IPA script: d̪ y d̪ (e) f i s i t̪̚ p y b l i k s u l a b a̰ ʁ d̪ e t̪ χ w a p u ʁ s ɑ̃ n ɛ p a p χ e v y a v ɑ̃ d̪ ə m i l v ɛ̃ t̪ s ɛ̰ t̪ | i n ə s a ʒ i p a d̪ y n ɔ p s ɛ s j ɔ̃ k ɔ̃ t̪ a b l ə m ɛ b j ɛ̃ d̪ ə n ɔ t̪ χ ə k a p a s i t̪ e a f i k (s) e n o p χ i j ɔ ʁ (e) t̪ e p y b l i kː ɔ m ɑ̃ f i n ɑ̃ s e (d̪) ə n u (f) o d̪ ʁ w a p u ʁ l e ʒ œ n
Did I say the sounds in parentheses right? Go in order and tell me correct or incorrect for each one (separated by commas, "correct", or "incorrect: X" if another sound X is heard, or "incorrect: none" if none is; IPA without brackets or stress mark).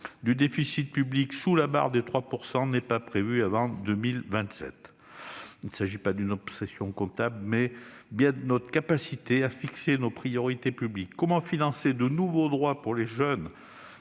correct, correct, incorrect: i, correct, incorrect: v